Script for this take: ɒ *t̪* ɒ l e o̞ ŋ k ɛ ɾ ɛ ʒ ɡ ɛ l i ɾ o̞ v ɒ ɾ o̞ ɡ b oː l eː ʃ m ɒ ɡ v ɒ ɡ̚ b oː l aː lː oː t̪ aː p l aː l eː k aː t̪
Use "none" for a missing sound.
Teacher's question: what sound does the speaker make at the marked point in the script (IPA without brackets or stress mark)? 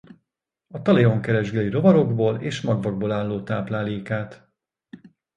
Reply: t̪